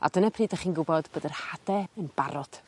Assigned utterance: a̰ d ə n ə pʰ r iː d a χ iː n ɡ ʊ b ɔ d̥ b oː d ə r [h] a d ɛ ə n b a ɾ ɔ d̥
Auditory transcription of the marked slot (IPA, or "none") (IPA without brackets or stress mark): h